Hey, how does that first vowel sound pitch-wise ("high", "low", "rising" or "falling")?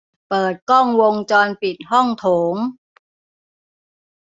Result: low